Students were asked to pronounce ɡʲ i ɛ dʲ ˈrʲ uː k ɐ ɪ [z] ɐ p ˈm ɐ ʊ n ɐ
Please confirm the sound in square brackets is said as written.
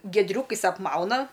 no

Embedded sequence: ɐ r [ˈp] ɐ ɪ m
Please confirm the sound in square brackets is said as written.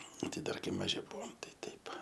no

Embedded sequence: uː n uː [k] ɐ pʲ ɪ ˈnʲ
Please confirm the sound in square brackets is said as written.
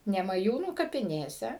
yes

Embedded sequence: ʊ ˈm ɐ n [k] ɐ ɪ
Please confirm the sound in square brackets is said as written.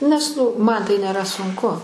no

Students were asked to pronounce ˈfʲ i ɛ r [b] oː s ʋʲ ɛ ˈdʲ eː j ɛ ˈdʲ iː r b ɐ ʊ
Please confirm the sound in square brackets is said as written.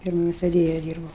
no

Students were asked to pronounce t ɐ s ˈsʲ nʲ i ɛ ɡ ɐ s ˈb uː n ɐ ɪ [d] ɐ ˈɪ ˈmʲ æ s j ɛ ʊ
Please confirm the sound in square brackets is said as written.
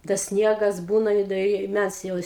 yes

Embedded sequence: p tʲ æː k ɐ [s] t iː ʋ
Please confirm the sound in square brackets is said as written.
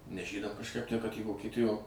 no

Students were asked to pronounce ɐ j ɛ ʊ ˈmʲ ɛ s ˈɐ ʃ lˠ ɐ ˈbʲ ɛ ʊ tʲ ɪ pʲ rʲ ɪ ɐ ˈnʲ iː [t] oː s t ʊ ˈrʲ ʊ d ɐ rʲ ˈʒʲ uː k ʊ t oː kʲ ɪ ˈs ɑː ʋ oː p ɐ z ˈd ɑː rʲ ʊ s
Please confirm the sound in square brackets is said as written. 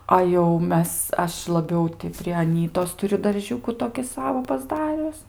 yes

